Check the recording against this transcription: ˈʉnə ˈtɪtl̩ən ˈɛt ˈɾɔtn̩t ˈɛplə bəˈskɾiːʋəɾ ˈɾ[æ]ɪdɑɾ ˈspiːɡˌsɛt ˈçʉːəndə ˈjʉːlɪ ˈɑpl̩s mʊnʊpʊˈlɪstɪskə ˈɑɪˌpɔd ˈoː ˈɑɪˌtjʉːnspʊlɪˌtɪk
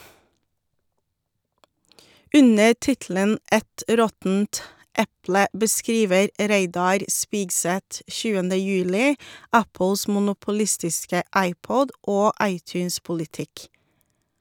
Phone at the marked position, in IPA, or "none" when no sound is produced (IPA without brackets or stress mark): e